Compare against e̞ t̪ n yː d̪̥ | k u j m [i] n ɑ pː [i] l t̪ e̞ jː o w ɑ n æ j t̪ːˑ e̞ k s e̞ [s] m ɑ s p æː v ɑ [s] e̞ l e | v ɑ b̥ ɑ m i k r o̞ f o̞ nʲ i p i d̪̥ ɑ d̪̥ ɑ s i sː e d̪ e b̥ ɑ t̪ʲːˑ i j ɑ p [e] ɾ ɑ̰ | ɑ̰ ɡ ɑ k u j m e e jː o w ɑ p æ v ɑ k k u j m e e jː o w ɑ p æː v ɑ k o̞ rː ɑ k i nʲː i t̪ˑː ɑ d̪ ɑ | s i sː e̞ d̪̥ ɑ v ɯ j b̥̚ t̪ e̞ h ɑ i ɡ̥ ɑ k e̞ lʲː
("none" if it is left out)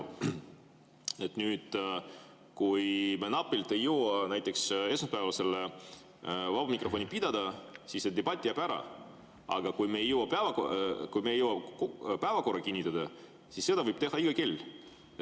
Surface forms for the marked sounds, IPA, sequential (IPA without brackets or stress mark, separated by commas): e, i, s, s, æ